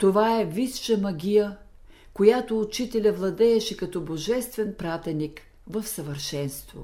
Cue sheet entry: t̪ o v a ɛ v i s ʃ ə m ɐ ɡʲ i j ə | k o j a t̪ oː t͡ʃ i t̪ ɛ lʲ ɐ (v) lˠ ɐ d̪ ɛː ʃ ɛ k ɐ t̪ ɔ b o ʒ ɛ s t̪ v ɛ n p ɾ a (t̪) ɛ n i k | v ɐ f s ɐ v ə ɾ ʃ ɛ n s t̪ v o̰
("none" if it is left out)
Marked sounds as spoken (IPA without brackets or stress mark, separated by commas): v, t̪